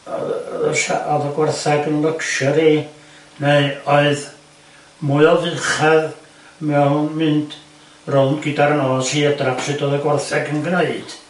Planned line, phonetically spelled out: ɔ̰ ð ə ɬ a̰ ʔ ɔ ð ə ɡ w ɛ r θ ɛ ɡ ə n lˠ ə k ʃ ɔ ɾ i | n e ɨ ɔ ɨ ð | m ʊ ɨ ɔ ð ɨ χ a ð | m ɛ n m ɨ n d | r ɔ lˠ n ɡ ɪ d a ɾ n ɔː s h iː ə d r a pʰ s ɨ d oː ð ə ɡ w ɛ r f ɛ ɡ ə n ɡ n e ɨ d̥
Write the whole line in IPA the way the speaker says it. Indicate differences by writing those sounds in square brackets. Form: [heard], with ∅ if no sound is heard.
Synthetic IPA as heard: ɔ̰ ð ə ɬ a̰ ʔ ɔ ð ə ɡ w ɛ r θ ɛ ɡ ə n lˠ ə k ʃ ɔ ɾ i | n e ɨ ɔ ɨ ð | m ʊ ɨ ɔ [v] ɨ χ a ð | m ɛ n m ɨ n d | r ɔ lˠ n ɡ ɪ d a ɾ n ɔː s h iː ə d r a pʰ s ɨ d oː ð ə ɡ w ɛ r [θ] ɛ ɡ ə n ɡ n e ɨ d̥